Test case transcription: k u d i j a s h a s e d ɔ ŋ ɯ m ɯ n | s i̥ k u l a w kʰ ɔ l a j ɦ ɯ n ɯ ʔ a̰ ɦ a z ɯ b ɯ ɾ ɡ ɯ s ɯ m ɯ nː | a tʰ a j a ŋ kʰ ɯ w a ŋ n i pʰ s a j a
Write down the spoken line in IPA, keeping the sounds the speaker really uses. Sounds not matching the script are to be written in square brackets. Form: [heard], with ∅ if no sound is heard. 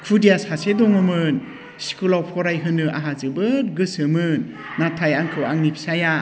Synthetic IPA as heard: [kʰ] u d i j a s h a s e d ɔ ŋ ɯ m ɯ n | s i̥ k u l a w [pʰ] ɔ [ɾ] a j ɦ ɯ n ɯ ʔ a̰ ɦ a z ɯ b ɯ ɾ ɡ ɯ s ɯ m ɯ nː | a tʰ a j a ŋ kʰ ɯ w a ŋ n i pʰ s a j a